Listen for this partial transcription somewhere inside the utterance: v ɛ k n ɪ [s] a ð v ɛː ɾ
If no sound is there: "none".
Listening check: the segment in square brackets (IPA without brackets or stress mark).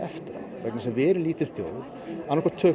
s